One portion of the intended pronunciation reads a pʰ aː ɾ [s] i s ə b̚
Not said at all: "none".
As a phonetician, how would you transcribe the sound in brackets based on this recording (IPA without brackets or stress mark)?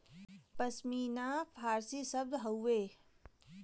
s